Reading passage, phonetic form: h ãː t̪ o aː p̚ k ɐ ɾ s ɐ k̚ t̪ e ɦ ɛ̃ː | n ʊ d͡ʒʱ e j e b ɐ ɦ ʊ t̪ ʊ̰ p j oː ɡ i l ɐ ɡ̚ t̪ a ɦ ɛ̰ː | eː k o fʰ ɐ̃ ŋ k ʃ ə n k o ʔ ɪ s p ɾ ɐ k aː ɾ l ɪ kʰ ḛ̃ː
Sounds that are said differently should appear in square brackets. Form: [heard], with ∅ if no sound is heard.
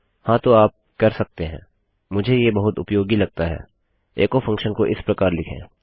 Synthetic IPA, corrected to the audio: h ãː t̪ o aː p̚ k ɐ ɾ s ɐ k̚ t̪ e ɦ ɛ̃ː | [m] ʊ d͡ʒʱ e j e b ɐ ɦ ʊ t̪ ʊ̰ p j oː ɡ i l ɐ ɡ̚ t̪ a ɦ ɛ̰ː | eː k o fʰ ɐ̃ ŋ k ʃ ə n k o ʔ ɪ s p ɾ ɐ k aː ɾ l ɪ kʰ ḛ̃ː